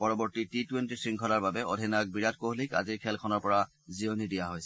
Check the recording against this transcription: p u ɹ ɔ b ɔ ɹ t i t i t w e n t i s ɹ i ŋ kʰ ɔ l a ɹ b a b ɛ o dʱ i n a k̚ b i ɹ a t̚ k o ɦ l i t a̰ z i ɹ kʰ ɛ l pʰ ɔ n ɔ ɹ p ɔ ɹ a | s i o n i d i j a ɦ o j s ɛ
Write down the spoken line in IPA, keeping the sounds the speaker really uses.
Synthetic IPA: p ɔ ɹ ɔ b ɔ ɹ t i t i t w e n t i s ɹ i ŋ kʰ ɔ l a ɹ b a b ɛ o dʱ i n a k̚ b i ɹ a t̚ k o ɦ l i k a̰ z i ɹ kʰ ɛ l kʰ ɔ n ɔ ɹ p ɔ ɹ a | z i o n i d i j a ɦ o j s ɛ